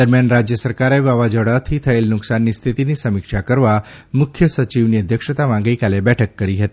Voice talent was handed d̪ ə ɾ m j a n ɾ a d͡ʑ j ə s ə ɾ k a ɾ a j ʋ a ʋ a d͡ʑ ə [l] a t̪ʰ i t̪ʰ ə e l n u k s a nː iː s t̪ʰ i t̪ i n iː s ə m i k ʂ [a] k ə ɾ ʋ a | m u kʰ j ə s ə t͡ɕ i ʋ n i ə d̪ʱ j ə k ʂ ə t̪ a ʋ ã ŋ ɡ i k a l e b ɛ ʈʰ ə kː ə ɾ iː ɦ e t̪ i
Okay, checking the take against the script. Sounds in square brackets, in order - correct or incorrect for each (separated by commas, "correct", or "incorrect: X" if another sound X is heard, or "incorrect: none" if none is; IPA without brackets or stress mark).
incorrect: ɽ, correct